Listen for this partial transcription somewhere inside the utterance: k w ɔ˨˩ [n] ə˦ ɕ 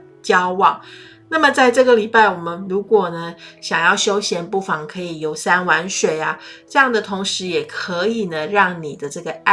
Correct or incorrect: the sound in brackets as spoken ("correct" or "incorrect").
correct